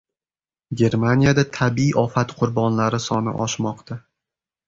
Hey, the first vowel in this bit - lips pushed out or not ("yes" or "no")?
no